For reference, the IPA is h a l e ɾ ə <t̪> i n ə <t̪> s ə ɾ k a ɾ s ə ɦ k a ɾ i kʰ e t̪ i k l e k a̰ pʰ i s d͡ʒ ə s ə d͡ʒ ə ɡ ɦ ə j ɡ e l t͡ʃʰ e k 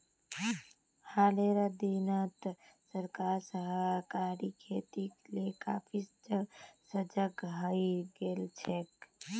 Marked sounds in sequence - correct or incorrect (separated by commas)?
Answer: incorrect, correct